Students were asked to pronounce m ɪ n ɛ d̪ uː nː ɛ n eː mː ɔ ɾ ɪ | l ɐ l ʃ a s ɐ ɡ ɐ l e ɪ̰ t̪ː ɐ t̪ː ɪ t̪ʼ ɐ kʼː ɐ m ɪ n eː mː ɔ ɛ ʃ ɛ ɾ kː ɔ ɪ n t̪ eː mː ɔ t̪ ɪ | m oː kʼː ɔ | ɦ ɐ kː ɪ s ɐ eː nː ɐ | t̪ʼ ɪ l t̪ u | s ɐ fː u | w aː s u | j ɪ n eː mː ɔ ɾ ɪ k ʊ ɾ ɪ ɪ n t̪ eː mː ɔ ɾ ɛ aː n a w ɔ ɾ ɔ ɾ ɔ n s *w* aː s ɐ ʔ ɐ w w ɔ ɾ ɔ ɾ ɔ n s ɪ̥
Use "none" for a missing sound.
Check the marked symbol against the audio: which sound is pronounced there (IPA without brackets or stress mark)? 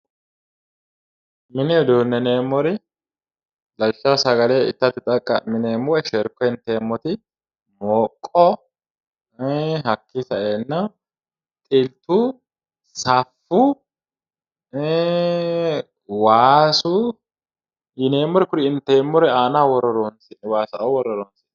w